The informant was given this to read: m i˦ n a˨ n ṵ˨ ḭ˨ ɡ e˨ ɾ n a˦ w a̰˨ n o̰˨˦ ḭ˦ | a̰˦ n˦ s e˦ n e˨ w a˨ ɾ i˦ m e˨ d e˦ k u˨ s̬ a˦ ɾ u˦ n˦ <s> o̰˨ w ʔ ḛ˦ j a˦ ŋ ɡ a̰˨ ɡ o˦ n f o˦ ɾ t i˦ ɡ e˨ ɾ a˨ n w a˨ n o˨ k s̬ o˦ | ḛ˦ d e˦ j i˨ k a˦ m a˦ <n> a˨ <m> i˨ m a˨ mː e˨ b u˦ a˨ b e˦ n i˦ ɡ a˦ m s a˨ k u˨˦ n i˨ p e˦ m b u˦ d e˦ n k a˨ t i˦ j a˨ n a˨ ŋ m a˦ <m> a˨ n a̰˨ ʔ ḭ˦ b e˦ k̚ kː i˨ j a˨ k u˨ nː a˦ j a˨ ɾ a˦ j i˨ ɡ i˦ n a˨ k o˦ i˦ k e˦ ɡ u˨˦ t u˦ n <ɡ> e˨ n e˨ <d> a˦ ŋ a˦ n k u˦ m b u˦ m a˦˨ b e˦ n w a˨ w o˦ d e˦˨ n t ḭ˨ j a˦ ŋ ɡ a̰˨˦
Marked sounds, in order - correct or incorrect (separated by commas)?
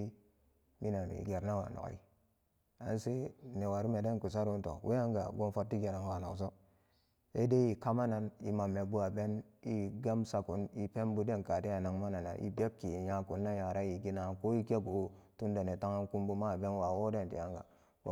incorrect, correct, incorrect, incorrect, incorrect, incorrect